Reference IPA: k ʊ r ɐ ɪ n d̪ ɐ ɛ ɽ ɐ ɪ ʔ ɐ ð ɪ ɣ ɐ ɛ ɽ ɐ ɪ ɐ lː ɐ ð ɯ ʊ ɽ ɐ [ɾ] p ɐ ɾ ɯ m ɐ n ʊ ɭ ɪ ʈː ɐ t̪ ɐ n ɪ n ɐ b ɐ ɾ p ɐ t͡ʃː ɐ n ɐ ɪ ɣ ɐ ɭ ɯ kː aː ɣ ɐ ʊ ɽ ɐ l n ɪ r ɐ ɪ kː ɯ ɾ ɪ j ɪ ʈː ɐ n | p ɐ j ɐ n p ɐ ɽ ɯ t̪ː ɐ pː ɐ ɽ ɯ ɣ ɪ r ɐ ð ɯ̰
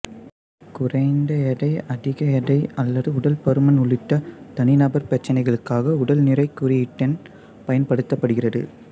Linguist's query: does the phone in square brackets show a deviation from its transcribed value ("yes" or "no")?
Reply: yes